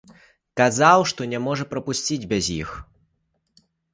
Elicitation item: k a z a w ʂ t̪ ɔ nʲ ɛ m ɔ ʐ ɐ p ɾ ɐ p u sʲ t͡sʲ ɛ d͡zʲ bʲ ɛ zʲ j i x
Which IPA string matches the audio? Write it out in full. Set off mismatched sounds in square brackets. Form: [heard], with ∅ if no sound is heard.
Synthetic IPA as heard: k a z a w ʂ t̪ ɔ nʲ ɛ m ɔ ʐ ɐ p ɾ ɐ p u sʲ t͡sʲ [i] d͡zʲ bʲ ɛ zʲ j i x